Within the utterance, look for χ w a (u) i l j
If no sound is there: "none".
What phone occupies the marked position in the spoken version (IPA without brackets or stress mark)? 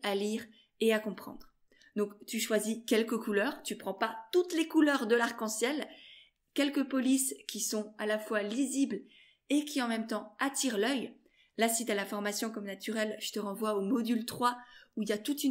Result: u